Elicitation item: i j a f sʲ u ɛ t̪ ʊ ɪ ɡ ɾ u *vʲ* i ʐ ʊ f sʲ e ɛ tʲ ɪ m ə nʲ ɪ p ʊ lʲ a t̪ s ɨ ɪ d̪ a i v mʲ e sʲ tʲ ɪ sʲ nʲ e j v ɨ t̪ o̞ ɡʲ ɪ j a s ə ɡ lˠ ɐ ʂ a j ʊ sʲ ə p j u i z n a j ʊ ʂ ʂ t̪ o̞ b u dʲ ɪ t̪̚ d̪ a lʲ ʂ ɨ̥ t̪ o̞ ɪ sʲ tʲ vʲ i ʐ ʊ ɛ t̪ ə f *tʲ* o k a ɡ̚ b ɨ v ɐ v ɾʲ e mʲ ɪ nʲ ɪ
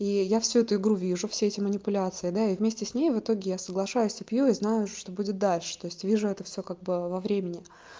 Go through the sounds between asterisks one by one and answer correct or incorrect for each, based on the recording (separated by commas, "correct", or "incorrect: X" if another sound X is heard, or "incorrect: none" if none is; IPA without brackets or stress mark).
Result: correct, incorrect: sʲ